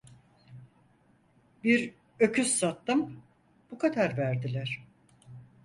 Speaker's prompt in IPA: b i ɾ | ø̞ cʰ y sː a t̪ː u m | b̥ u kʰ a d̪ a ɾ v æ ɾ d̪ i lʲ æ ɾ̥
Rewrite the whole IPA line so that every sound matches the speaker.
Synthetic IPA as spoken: b i ɾ | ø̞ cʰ y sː a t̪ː ɯ m | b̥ u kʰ a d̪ a ɾ v æ ɾ d̪ i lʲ æ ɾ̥